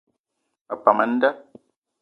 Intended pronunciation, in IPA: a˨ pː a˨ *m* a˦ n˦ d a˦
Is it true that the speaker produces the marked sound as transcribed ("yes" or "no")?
yes